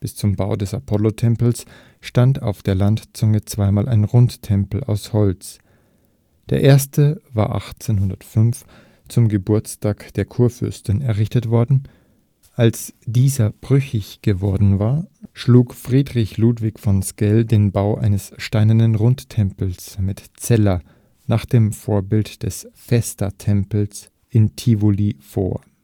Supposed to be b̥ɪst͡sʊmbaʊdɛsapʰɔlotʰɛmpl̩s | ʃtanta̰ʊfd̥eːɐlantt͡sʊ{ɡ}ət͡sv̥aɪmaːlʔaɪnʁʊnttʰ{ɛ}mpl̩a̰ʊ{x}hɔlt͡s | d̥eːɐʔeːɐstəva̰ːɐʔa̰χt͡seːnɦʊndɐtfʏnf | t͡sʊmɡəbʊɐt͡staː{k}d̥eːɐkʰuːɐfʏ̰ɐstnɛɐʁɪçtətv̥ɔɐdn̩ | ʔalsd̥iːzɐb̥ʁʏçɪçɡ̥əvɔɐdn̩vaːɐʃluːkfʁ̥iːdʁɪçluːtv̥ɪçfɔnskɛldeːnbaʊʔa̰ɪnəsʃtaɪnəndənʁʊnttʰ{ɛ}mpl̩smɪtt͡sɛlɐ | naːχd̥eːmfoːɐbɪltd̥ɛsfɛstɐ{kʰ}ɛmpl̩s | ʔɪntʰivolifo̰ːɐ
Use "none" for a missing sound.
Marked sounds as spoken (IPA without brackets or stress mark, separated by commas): ŋ, ɛ, s, k, ɛ, tʰ